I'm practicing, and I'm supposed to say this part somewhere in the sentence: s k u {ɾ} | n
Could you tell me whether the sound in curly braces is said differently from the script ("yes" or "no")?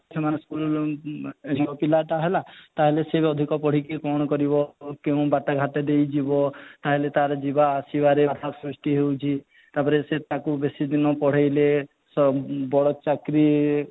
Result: yes